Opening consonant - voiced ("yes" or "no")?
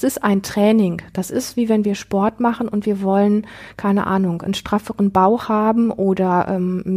no